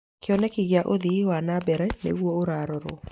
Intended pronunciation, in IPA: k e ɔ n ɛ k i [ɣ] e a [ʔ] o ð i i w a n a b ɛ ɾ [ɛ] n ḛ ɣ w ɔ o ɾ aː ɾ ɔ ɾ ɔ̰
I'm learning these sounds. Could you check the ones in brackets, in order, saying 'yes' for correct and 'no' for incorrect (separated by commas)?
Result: yes, yes, yes